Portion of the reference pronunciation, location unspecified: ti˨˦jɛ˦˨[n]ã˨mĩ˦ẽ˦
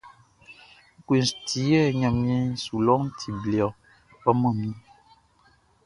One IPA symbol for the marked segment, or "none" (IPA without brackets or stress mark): ɲ